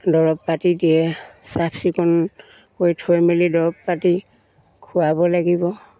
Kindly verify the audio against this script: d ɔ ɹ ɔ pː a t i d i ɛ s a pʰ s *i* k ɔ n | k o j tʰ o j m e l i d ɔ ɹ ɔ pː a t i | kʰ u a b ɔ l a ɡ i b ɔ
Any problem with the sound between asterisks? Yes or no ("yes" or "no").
no